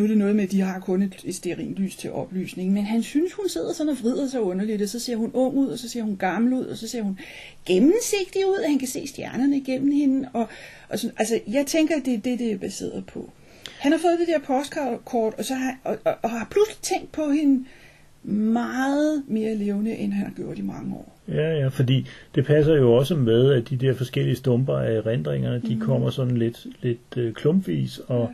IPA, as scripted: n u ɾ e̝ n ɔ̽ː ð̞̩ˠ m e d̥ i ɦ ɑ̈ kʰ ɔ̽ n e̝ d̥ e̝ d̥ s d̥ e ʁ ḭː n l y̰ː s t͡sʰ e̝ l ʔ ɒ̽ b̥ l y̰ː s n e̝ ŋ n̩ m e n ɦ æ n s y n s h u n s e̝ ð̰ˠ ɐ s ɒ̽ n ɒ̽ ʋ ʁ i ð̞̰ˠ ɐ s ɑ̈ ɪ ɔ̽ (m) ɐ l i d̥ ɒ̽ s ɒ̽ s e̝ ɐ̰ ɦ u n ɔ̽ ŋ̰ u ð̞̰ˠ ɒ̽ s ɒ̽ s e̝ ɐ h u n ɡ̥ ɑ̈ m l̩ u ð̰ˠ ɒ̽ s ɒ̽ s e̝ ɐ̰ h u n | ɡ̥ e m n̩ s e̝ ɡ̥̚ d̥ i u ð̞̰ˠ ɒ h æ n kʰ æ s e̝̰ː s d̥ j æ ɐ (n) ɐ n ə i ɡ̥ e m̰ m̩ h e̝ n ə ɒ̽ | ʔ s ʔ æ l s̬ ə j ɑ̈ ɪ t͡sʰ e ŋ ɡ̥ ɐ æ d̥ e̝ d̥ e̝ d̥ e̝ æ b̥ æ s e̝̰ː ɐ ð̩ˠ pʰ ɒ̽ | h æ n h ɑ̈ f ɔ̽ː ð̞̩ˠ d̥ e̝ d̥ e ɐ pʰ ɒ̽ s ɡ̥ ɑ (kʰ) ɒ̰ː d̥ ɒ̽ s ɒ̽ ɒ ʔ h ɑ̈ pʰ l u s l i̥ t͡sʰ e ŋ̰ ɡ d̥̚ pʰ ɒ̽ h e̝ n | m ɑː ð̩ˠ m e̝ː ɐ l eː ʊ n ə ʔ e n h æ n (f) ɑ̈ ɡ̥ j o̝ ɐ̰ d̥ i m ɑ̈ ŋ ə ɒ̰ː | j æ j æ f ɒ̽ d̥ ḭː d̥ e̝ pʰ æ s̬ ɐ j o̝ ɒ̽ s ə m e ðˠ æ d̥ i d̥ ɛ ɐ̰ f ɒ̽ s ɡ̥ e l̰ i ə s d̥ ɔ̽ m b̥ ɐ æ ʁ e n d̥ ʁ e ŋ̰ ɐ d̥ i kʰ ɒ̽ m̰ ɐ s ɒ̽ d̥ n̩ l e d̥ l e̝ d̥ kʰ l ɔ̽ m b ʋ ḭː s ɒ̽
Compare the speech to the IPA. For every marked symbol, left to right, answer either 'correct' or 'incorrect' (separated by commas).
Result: incorrect, correct, correct, incorrect